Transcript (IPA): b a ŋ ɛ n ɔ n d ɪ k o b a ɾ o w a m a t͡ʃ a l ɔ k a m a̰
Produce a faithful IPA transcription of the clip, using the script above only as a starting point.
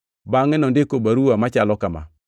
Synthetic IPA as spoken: b a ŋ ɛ n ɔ n d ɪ k o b a ɾ u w a m a t͡ʃ a l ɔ k a m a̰